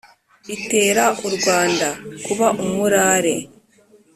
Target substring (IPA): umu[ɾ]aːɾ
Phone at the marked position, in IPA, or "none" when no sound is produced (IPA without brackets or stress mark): ɾ